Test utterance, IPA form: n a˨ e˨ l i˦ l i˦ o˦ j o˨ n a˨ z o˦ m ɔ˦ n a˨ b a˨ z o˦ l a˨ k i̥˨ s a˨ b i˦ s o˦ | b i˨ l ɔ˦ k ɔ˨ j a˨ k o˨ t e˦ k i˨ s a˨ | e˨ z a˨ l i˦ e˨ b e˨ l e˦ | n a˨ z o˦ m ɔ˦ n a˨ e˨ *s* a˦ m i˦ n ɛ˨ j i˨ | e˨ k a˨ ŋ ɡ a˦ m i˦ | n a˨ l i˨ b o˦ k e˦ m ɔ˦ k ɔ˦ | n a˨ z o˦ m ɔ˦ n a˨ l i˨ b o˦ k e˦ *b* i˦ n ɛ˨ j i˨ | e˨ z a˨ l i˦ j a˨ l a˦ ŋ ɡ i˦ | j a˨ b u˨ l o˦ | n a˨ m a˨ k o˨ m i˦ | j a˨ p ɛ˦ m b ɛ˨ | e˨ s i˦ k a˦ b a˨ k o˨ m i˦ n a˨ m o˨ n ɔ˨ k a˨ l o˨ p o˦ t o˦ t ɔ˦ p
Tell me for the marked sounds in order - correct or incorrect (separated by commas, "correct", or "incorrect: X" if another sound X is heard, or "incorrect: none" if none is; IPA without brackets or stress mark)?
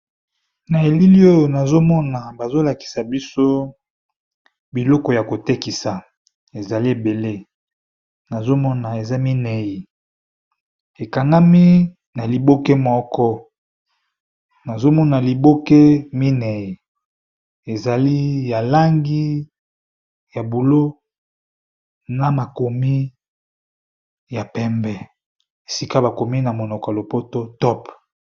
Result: incorrect: z, incorrect: m